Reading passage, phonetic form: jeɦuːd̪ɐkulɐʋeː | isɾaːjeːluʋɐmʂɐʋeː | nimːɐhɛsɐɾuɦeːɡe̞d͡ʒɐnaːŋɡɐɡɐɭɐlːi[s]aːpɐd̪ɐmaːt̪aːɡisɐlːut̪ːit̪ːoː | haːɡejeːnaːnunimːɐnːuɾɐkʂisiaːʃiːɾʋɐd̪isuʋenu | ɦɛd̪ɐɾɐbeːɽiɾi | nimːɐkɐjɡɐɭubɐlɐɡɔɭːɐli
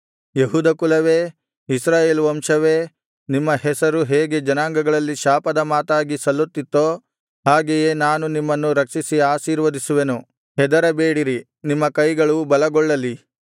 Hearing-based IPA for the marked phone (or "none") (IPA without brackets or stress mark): ʃ